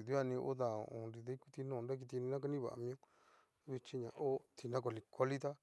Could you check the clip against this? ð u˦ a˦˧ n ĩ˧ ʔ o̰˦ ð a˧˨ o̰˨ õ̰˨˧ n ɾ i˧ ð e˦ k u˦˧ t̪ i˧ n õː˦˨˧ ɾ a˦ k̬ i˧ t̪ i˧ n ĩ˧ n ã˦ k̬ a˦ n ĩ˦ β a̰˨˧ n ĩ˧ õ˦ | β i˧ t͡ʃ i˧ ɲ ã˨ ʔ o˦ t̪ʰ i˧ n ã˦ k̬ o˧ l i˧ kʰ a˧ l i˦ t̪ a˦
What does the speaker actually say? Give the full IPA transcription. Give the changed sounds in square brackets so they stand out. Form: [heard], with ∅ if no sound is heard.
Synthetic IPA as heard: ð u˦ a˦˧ n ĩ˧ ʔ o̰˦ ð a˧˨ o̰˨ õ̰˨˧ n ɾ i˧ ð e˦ k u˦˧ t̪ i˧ n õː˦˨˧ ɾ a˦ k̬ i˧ t̪ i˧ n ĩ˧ n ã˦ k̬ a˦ n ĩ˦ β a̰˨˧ [m] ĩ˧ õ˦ | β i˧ t͡ʃ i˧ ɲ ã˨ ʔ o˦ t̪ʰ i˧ n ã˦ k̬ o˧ l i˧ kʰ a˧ l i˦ t̪ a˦